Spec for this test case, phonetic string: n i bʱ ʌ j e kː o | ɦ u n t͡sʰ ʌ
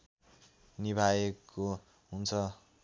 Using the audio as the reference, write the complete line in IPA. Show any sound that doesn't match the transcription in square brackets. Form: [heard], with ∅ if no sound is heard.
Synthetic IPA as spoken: n i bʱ [a] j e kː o | ɦ u n t͡sʰ ʌ

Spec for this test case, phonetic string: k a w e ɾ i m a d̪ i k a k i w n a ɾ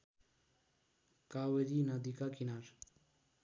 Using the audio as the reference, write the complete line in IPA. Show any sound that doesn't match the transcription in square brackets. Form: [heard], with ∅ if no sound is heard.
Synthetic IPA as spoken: k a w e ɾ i [n] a d̪ i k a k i [∅] n a ɾ

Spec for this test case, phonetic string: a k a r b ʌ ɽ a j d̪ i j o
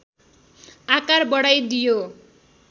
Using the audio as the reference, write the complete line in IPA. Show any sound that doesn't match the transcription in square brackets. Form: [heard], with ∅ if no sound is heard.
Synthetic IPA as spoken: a k a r b ʌ ɽ a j d̪ i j o

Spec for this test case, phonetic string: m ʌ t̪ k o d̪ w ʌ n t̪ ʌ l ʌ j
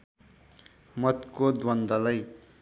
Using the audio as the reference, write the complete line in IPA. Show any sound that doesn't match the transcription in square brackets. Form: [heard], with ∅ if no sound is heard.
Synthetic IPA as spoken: m ʌ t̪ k o d̪ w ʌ n [d̪] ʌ l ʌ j

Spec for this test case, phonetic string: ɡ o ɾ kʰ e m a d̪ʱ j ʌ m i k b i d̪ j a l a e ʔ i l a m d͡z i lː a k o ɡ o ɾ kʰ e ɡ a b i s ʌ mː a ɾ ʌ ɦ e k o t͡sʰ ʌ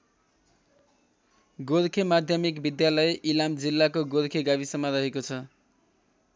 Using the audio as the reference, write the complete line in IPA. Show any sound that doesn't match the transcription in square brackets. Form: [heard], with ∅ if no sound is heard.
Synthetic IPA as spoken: ɡ o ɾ kʰ e m a d̪ʱ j ʌ m i k b i d̪ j a l [ʌ] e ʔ i l a m d͡z i lː a k o ɡ o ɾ kʰ e ɡ a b i s ʌ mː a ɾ ʌ ɦ e k o t͡sʰ ʌ

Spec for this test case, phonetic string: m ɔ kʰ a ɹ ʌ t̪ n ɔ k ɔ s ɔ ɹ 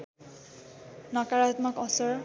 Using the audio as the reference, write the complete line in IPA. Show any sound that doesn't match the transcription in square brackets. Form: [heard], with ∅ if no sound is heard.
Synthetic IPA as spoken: [n] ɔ [k] a ɹ [a] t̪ [m] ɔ k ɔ s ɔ ɹ

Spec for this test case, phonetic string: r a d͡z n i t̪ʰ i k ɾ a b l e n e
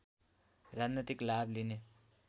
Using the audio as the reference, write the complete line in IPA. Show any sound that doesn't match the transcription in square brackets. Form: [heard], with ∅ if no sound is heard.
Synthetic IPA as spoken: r a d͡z n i [t̪] i k [l] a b l [i] n e

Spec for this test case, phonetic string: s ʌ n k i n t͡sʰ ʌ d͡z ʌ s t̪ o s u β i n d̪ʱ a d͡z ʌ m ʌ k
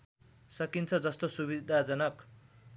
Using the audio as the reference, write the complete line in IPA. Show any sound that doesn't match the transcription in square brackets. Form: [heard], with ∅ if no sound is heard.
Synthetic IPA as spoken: s ʌ [∅] k i n t͡sʰ ʌ d͡z ʌ s t̪ o s u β i [∅] d̪ʱ a d͡z ʌ [n] ʌ k

